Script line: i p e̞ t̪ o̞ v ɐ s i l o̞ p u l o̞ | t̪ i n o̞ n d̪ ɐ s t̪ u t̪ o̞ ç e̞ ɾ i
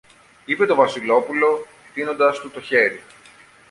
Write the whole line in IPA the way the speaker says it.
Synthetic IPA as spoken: i p e̞ t̪ o̞ v ɐ s i l o̞ p u l o̞ | t̪ i n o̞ n d̪ ɐ s t̪ u t̪ o̞ ç e̞ ɾ i